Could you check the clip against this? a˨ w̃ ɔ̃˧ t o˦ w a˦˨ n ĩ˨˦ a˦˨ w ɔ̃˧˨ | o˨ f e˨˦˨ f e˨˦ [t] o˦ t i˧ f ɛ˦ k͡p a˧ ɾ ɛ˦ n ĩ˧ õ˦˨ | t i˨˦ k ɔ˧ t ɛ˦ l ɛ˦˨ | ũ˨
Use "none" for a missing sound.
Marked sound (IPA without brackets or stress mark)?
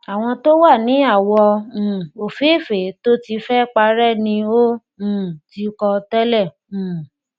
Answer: t